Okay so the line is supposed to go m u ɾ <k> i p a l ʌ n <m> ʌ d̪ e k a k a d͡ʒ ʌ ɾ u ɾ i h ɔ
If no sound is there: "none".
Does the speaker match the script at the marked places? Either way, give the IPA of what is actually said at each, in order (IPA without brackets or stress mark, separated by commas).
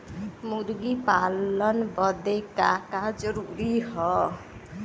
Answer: ɡ, b